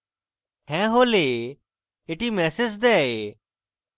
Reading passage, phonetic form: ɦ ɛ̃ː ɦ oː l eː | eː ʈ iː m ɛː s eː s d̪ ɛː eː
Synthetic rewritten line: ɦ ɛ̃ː ɦ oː l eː | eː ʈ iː m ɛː s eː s d̪ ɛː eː

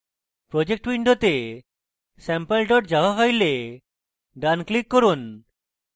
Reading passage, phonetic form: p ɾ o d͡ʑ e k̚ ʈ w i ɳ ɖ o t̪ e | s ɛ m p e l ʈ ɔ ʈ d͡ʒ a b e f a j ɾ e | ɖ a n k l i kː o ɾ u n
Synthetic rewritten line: p ɾ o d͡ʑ e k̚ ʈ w i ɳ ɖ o t̪ e | s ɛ m p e l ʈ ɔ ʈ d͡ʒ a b a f a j l e | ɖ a n k l i kː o ɾ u n

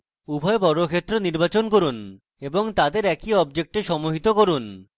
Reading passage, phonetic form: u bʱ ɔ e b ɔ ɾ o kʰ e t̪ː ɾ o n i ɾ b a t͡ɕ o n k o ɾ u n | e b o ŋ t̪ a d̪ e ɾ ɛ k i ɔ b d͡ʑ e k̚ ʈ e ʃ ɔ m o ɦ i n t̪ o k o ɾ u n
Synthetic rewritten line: u bʱ ɔ e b ɔ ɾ o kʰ e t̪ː ɾ o n i ɾ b a t͡ɕ o n k o ɾ u n | e b o ŋ t̪ a d̪ e ɾ ɛ k i ɔ b d͡ʑ e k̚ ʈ e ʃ ɔ m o ɦ i t̪ o k o ɾ u n

